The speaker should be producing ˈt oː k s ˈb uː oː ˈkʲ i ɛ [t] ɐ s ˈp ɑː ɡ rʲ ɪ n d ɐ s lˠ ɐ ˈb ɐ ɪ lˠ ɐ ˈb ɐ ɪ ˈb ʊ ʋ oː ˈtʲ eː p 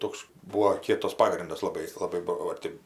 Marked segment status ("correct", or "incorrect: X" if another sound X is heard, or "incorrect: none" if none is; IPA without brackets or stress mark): correct